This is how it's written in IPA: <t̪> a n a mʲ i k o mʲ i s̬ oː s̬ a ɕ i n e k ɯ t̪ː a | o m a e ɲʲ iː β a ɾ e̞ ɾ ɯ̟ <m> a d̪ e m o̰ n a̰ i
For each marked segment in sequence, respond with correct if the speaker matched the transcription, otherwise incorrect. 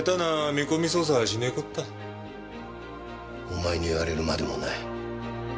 correct, correct

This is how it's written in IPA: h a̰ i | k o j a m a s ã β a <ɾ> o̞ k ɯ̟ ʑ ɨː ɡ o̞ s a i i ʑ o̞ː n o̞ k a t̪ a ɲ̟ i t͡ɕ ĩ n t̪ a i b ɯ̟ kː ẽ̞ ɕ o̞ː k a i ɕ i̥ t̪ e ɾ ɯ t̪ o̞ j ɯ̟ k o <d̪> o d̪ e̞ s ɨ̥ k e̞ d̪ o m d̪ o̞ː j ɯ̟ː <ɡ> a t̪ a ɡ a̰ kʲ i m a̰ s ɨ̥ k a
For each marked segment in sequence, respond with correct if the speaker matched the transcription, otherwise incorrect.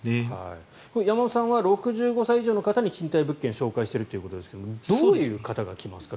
correct, incorrect: t̪, incorrect: k

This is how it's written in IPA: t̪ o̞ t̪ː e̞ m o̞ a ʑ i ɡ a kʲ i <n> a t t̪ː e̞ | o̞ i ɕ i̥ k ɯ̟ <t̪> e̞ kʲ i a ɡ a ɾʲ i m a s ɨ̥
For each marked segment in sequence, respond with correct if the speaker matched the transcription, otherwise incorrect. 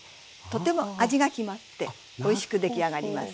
incorrect: m, incorrect: d̪

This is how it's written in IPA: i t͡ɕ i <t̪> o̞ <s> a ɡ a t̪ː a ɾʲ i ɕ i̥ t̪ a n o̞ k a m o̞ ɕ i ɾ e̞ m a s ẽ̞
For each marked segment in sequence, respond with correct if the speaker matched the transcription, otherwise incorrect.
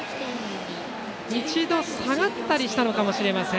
incorrect: d̪, correct

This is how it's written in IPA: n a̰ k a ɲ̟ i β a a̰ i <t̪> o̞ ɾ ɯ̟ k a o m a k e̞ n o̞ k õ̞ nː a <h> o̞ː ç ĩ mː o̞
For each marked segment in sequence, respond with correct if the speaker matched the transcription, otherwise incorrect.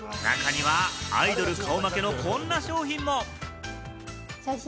incorrect: d̪, incorrect: ɕ

